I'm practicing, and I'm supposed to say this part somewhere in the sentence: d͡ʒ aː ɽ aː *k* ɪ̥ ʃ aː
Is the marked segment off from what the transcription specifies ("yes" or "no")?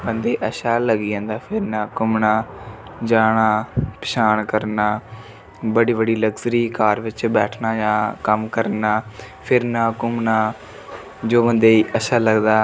yes